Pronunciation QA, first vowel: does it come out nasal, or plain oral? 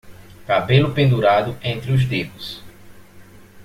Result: oral